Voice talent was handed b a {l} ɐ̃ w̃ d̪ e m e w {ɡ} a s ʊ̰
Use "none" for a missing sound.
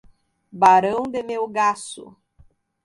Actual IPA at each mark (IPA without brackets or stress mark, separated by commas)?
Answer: ɾ, ɡ